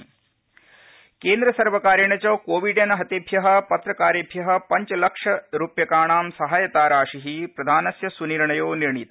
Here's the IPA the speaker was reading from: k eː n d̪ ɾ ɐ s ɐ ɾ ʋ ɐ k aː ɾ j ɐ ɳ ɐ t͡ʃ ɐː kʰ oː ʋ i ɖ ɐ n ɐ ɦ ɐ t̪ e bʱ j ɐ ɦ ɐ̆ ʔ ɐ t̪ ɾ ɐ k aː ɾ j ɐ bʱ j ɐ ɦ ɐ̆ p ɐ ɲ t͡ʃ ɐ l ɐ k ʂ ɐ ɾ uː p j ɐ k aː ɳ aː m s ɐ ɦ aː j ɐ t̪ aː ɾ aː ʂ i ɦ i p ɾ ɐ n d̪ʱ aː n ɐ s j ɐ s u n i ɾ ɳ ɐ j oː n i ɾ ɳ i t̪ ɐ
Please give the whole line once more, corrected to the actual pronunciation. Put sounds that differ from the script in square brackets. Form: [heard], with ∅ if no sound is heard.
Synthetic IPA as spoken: k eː n d̪ ɾ ɐ s ɐ ɾ ʋ ɐ k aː ɾ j ɐ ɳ ɐ t͡ʃ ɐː [k] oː ʋ i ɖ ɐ n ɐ ɦ ɐ t̪ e bʱ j ɐ ɦ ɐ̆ [p] ɐ t̪ ɾ ɐ k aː ɾ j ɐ bʱ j ɐ ɦ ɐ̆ p ɐ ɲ t͡ʃ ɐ l ɐ k ʂ ɐ ɾ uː p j ɐ k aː ɳ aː m s ɐ ɦ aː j ɐ t̪ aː ɾ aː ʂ i ɦ i p ɾ ɐ [∅] d̪ʱ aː n ɐ s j ɐ s u n i ɾ ɳ ɐ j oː n i ɾ ɳ i t̪ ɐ